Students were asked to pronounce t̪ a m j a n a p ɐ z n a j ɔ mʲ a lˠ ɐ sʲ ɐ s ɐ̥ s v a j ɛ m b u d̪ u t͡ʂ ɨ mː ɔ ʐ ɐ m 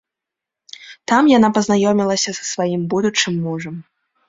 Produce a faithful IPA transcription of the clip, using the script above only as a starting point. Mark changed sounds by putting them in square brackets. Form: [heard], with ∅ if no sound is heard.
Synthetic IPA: t̪ a m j a n a p ɐ z n a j ɔ mʲ [i] lˠ ɐ sʲ ɐ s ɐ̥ s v a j [i] m b u d̪ u t͡ʂ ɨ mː [u] ʐ ɐ m